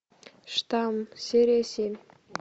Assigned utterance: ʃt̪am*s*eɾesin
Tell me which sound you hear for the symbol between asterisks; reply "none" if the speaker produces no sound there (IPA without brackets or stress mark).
s